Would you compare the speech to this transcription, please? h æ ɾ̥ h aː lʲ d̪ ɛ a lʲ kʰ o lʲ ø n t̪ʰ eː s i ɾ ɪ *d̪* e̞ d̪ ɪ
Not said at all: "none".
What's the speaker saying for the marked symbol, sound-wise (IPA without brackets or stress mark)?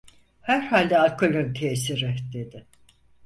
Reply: d̪